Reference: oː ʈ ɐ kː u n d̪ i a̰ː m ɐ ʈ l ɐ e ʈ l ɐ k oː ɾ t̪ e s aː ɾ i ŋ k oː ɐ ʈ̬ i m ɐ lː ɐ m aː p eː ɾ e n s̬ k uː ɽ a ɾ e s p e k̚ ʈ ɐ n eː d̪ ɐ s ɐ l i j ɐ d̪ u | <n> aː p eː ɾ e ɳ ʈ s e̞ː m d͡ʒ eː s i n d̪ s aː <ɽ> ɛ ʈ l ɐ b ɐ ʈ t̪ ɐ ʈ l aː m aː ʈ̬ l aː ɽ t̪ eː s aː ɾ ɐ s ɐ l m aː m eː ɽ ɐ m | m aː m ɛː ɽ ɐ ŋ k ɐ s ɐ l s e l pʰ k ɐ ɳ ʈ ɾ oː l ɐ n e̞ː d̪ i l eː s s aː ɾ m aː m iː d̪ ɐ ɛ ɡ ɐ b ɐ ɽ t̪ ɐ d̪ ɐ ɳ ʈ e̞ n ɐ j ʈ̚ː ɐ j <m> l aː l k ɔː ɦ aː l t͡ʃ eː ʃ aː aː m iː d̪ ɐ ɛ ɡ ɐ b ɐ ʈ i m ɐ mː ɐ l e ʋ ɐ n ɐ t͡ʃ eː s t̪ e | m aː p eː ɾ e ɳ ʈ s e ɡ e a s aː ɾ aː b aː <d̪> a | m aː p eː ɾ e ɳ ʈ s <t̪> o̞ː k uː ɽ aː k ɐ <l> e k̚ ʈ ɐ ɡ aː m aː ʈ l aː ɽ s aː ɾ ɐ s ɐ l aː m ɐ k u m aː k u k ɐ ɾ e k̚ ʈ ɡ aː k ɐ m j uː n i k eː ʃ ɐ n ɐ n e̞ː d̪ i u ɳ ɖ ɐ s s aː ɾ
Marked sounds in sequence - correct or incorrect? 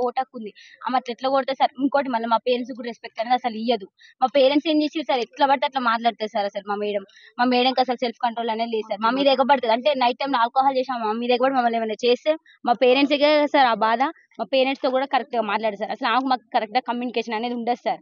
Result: incorrect: m, incorrect: ɾ, correct, correct, correct, incorrect: ɾ

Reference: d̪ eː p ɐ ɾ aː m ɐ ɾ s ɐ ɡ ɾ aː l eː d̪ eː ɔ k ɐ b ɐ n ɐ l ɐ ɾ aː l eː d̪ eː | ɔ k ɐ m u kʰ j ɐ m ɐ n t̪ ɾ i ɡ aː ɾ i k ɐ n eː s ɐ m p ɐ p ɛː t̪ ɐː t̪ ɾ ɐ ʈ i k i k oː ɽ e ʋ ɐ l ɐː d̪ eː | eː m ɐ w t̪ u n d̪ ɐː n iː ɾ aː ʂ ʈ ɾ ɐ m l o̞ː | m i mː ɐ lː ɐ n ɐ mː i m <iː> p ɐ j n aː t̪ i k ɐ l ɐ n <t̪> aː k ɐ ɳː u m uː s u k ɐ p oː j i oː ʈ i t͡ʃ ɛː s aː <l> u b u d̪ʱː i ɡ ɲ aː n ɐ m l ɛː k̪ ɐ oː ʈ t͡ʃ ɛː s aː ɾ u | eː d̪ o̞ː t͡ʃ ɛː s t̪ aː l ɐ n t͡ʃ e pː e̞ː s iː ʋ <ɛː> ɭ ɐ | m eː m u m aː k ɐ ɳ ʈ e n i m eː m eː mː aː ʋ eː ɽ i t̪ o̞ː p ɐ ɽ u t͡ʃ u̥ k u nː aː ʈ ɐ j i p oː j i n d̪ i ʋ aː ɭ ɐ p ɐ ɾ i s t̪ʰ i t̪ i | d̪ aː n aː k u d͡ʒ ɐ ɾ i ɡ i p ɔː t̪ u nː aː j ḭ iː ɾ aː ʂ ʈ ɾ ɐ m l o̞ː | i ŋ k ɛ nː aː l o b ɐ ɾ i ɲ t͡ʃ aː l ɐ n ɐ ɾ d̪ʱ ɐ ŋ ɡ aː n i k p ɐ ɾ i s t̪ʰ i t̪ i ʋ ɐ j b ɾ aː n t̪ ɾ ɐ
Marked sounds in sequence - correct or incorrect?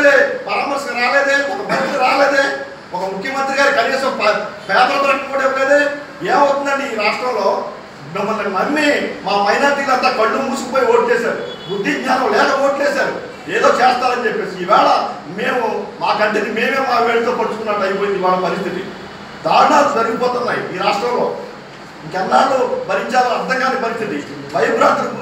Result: incorrect: aː, correct, incorrect: ɾ, correct

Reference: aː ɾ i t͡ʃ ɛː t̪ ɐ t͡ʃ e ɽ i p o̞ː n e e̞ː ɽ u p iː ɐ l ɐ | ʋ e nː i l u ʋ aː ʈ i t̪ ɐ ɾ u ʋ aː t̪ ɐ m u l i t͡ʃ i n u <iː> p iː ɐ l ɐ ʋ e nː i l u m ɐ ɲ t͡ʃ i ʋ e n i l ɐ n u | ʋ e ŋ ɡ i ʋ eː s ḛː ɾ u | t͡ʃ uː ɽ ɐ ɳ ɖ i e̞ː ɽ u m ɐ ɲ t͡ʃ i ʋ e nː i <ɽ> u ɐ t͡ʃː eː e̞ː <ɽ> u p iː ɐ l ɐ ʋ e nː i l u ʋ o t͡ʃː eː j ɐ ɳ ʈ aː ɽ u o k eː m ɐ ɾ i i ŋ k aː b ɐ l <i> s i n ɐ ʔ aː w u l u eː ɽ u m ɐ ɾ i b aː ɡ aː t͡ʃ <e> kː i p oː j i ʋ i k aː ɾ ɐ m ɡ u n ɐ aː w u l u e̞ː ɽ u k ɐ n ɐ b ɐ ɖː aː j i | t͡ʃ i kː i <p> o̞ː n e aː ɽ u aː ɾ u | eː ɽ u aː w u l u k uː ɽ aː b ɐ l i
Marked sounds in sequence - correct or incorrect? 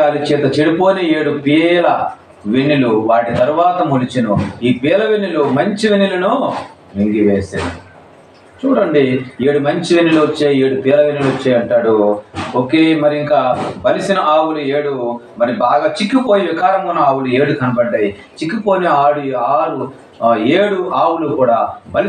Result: correct, incorrect: l, correct, correct, incorrect: i, correct

